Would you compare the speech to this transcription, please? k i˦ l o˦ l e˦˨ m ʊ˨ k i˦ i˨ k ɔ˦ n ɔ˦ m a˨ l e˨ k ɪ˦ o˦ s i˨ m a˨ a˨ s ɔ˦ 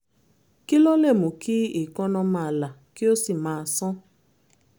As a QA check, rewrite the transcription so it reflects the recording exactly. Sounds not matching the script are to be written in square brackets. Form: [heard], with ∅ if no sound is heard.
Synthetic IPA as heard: k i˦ l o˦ l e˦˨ m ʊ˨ k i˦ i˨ k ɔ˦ n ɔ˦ m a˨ l [a˨] k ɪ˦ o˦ s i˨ m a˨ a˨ s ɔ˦